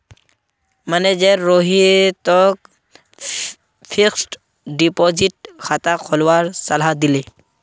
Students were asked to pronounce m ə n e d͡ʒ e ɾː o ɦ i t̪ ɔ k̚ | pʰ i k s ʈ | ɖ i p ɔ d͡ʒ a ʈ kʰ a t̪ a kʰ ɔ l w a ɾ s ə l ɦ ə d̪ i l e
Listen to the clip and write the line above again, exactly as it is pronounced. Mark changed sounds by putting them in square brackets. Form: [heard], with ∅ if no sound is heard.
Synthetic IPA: m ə n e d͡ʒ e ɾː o ɦ i t̪ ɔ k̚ | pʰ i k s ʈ | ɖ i p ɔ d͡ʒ [i] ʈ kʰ a t̪ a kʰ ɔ l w a ɾ s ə l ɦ [a] d̪ i l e